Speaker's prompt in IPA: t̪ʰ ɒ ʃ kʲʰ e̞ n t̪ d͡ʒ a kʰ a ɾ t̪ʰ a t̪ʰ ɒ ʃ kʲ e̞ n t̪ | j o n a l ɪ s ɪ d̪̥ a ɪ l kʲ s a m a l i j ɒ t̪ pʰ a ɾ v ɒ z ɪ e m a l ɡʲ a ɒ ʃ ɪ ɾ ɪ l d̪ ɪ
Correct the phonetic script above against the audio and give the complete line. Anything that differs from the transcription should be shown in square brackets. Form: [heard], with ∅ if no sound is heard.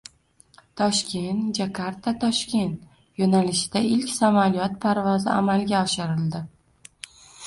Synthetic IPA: t̪ʰ ɒ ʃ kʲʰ e̞ n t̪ d͡ʒ a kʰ a ɾ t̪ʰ a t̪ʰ ɒ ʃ kʲ e̞ n t̪ | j o n a l ɪ [ʃ] ɪ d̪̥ a ɪ l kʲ s a m a l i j ɒ t̪ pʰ a ɾ v ɒ z ɪ [a] m a l ɡʲ a ɒ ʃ ɪ ɾ ɪ l d̪ ɪ